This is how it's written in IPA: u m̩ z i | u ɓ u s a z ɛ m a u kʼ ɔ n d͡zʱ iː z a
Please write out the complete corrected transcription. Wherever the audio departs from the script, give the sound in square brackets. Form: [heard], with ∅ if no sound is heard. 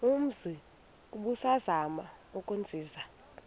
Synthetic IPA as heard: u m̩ z i | u ɓ u s a z [a] m a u kʼ [u] n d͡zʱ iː z a

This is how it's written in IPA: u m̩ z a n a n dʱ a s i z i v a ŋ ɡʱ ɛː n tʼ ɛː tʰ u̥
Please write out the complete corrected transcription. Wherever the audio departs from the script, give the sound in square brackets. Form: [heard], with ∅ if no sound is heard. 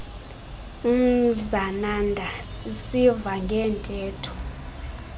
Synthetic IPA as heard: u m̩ z a n a n dʱ a s i [s] i v a ŋ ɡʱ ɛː n tʼ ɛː tʰ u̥

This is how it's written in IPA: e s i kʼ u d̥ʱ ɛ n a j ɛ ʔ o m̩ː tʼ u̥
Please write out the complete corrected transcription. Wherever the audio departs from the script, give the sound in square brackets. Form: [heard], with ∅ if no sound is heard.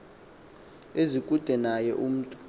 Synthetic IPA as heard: e [z] i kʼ u d̥ʱ ɛ n a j ɛ ʔ [u] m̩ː tʼ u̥

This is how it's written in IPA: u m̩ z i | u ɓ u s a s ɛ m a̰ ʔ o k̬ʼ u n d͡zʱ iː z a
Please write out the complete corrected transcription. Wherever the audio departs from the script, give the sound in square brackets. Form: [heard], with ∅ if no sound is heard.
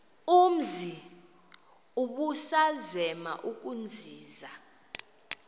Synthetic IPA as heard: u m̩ z i | u ɓ u s a [z] ɛ m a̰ ʔ [u] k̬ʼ u n d͡zʱ iː z a

